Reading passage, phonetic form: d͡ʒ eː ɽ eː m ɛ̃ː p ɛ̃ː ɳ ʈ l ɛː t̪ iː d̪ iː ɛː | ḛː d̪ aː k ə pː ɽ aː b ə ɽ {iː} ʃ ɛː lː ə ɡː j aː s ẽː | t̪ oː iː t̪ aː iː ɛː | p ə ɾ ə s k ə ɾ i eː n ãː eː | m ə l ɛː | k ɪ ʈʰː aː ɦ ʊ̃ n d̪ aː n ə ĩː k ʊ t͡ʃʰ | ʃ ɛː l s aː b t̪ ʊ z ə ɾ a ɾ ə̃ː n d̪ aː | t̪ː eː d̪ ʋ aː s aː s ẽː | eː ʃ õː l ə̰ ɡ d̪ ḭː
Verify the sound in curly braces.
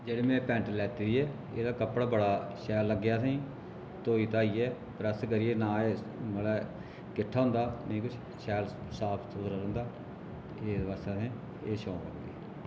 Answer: incorrect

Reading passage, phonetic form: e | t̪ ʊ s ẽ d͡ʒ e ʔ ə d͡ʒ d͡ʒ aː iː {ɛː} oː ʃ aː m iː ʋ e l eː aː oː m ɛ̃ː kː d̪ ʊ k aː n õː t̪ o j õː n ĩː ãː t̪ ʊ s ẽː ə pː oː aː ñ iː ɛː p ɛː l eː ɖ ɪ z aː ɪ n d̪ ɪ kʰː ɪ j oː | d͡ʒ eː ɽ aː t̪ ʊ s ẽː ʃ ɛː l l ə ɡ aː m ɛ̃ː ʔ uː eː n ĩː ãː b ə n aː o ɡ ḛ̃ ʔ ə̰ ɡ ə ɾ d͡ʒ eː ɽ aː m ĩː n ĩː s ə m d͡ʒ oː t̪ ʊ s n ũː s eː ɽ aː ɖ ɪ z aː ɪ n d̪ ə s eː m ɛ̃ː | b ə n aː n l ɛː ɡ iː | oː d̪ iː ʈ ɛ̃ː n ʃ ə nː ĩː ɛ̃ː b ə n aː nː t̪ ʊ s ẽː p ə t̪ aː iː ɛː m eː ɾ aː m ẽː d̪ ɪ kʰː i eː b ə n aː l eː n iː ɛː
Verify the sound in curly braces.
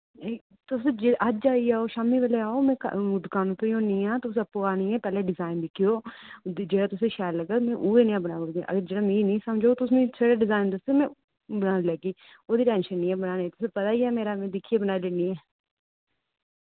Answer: incorrect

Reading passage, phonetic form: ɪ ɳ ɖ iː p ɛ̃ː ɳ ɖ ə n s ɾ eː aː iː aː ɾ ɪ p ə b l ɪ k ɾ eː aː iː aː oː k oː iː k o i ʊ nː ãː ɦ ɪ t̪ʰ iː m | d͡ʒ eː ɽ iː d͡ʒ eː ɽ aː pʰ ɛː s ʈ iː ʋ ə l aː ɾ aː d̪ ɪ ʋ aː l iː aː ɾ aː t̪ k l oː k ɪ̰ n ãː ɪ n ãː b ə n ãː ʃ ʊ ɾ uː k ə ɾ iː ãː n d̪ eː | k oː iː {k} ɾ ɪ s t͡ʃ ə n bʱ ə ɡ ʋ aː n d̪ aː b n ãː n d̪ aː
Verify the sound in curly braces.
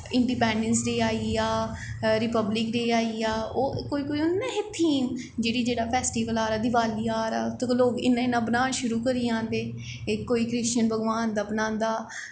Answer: correct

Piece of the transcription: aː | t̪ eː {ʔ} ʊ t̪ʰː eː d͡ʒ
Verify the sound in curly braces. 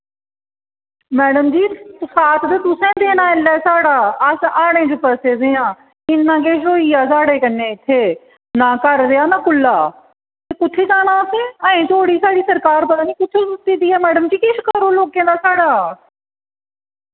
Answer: incorrect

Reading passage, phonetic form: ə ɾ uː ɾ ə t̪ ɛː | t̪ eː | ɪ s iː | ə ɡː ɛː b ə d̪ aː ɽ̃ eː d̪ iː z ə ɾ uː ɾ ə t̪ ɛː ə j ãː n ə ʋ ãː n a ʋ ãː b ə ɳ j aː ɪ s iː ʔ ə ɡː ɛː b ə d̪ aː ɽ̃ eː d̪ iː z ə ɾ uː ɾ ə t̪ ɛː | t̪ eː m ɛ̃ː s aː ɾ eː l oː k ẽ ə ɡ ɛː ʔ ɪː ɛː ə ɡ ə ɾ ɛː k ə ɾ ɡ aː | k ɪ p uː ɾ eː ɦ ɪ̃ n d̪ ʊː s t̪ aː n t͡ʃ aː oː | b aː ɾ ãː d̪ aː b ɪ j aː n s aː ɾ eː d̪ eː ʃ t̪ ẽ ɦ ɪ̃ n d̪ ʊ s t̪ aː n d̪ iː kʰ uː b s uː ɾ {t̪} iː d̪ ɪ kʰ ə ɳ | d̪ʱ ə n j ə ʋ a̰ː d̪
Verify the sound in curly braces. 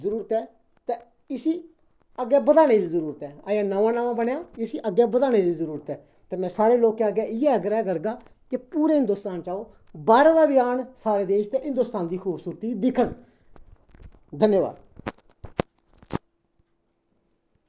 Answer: correct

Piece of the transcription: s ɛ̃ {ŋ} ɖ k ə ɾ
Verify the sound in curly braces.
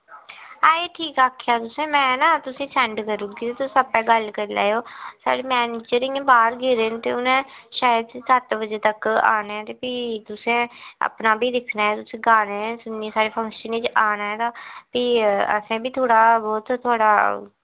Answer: incorrect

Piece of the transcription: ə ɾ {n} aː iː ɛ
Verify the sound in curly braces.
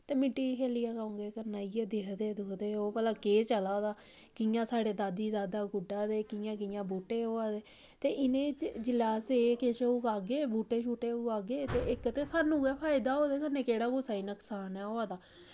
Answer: correct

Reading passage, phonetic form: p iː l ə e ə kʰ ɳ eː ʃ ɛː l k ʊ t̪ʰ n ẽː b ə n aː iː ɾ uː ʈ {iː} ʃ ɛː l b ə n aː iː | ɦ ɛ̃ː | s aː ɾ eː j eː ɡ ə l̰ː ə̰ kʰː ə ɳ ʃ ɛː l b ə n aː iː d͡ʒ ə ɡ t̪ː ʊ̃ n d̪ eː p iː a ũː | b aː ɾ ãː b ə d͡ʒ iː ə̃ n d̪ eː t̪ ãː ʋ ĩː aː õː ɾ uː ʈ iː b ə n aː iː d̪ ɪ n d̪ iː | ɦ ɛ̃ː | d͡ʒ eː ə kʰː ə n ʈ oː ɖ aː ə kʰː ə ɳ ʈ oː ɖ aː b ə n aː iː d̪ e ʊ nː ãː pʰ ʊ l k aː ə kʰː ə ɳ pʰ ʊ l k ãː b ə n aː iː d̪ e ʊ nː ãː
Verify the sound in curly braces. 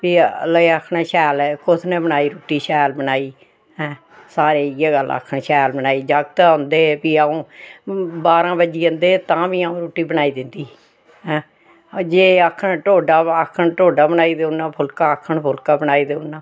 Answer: correct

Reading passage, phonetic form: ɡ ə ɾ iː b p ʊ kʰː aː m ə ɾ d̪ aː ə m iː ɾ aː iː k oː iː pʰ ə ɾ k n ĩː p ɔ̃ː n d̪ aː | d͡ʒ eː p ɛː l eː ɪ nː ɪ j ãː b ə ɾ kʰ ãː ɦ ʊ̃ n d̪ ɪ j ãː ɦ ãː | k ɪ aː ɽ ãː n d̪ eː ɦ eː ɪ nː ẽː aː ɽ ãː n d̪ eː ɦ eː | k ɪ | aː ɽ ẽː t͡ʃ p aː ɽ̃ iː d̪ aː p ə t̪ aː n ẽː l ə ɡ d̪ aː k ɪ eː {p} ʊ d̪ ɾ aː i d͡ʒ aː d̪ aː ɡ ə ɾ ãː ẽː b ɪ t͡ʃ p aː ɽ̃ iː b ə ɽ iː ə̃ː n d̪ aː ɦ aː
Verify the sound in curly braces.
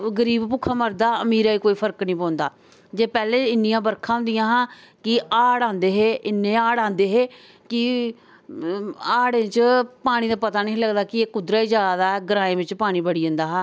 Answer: incorrect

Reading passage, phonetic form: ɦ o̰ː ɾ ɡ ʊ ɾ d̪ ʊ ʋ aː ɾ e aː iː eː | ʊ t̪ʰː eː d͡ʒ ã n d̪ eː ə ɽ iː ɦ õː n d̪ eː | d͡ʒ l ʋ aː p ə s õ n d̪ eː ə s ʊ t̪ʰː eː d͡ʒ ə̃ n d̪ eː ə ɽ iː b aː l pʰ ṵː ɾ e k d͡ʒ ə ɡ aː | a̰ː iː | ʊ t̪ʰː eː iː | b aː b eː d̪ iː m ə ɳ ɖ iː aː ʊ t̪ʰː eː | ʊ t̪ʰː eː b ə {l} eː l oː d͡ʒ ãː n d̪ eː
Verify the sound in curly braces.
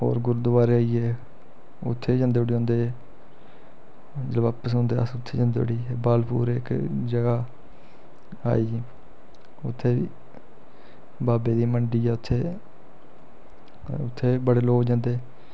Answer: incorrect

